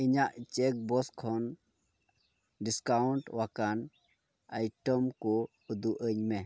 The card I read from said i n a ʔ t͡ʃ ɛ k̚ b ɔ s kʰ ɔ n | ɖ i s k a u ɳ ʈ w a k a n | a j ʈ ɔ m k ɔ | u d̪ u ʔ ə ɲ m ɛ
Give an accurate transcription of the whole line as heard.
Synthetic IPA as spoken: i ɲ a ʔ t͡ʃ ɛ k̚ b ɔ s kʰ ɔ n | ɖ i s k a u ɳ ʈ w a k a n | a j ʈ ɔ m k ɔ | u d̪ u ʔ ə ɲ m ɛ